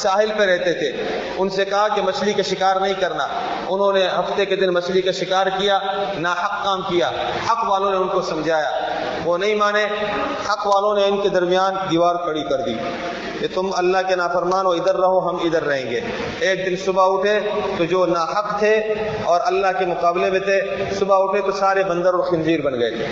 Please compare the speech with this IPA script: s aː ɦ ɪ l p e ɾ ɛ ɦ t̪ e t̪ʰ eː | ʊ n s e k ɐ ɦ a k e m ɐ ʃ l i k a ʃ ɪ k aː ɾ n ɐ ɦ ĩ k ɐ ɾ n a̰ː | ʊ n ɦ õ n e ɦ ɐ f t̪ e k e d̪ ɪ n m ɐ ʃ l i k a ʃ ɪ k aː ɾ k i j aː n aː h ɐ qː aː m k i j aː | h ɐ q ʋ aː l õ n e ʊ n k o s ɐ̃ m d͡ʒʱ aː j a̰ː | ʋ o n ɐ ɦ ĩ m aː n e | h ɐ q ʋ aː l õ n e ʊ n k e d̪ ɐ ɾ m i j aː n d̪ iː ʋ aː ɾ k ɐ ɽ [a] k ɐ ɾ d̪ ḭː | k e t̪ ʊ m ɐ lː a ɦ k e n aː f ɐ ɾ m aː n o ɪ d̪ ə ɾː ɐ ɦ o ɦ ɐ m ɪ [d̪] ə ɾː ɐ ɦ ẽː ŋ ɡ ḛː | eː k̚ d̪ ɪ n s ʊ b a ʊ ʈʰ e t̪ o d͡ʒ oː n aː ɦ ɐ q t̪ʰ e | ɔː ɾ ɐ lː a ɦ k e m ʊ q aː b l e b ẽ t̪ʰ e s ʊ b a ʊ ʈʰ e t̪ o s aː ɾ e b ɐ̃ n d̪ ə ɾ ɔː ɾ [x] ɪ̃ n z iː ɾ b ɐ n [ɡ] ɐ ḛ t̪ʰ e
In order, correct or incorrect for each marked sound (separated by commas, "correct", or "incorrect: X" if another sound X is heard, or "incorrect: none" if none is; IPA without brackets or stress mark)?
incorrect: i, correct, correct, correct